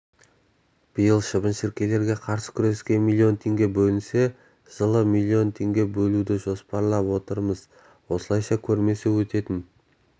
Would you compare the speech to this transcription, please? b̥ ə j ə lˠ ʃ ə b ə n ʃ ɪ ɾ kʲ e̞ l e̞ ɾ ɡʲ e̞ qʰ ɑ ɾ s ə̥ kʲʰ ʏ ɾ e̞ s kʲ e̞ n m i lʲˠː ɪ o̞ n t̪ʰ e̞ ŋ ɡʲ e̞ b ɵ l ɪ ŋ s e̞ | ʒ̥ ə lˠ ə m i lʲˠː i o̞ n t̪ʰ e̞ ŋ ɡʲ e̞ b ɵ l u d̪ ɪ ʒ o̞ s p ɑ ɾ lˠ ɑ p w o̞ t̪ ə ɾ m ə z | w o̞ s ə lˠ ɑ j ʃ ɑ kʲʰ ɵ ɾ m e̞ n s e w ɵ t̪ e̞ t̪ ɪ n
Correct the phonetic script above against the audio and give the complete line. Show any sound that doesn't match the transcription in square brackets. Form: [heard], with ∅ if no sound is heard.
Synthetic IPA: b̥ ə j ə lˠ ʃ ə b ə n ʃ ɪ ɾ kʲ e̞ l e̞ ɾ ɡʲ e̞ qʰ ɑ ɾ s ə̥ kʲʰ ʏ ɾ e̞ s kʲ e̞ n m i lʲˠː [i] o̞ n t̪ʰ e̞ ŋ ɡʲ e̞ b ɵ l ɪ [n] s e̞ | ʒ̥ ə lˠ ə m i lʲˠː i o̞ n t̪ʰ e̞ ŋ ɡʲ e̞ b ɵ l u d̪ ɪ ʒ o̞ s p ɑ ɾ lˠ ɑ p w o̞ t̪ ə ɾ m ə z | w o̞ s ə lˠ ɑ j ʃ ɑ kʲʰ ɵ ɾ m e̞ [∅] s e w ɵ t̪ e̞ t̪ ɪ n